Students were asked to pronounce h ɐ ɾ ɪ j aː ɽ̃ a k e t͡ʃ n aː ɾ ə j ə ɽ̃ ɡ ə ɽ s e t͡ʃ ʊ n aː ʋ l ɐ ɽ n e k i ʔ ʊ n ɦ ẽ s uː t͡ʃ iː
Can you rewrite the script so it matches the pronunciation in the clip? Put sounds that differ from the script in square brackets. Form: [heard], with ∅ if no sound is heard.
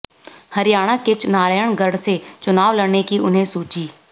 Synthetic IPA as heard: h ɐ ɾ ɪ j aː ɽ̃ a k e t͡ʃ n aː ɾ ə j ə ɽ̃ ɡ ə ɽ s e t͡ʃ ʊ n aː ʋ l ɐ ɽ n e k i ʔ ʊ n ɦ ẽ s uː t͡ʃ iː